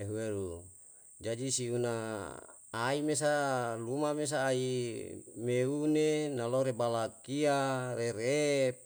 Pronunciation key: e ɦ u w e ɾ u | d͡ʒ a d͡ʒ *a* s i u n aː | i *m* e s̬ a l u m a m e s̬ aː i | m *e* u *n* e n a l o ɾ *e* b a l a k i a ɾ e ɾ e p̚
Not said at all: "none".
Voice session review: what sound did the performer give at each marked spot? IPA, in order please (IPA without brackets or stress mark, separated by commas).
i, m, e, n, e